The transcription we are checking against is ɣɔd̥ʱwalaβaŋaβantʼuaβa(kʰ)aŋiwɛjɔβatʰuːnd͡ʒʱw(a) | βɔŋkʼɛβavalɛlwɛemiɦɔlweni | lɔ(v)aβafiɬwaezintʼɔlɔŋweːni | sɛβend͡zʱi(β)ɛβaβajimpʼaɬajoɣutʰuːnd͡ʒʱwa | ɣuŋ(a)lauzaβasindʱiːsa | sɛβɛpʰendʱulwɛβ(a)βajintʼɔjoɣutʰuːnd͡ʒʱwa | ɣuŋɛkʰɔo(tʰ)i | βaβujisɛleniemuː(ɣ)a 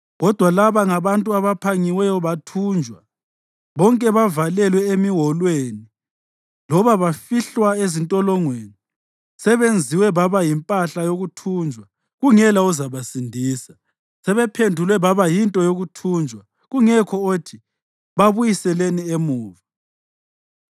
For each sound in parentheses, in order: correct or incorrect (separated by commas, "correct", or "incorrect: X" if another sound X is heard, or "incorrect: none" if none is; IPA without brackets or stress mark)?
incorrect: pʰ, correct, incorrect: β, incorrect: w, incorrect: ɛ, correct, correct, incorrect: v